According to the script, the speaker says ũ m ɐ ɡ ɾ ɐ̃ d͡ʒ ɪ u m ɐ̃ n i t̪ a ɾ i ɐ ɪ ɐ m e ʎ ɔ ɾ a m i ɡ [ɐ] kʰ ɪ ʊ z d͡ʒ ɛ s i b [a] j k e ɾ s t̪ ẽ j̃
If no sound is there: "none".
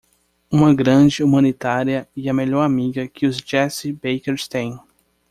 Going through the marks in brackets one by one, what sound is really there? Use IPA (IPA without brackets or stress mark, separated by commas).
ɐ, e